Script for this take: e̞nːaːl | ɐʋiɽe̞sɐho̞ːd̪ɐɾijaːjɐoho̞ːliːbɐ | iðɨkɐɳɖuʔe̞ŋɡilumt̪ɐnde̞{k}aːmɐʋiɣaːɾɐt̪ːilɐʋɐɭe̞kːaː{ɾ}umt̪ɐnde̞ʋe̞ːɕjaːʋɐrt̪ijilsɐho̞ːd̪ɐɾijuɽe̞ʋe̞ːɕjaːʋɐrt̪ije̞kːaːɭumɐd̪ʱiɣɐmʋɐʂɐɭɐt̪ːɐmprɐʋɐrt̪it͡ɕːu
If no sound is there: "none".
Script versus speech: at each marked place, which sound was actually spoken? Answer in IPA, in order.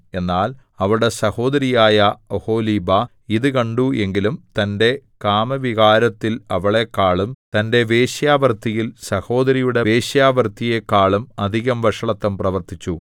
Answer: k, ɭ

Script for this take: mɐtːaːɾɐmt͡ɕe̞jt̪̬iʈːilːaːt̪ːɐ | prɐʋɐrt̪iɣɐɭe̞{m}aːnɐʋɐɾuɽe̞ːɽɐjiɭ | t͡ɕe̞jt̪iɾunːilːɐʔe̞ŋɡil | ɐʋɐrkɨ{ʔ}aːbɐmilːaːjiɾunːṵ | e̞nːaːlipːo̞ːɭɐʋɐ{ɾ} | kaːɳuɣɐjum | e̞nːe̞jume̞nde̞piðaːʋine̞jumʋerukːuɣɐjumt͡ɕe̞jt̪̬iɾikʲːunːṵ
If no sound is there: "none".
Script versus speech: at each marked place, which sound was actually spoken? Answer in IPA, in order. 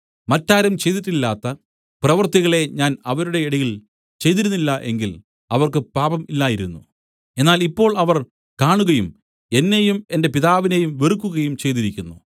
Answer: ɲ, p, r

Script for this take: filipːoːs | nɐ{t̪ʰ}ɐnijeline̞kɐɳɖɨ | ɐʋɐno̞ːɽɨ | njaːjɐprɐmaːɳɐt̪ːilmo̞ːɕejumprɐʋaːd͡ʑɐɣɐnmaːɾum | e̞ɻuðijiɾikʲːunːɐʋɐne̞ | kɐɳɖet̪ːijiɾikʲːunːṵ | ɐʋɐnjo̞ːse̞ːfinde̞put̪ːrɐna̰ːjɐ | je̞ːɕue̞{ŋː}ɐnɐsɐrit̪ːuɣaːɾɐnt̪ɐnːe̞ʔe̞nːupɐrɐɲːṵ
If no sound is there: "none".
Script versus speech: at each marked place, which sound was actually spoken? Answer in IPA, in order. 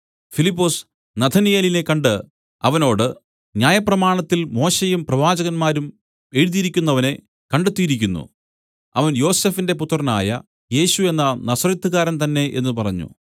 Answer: t̪ʰ, nː

